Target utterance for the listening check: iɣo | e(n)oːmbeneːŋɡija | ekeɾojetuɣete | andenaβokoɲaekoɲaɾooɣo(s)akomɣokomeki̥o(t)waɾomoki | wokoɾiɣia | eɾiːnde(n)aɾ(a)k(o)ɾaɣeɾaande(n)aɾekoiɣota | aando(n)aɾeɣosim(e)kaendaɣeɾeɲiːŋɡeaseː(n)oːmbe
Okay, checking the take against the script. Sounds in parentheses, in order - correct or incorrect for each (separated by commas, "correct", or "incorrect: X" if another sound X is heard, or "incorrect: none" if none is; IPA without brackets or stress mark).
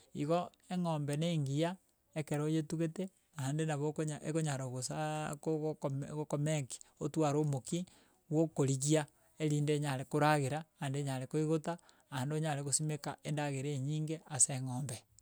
incorrect: ŋ, correct, correct, incorrect: ɲ, incorrect: e, correct, incorrect: ɲ, incorrect: ɲ, correct, incorrect: ŋ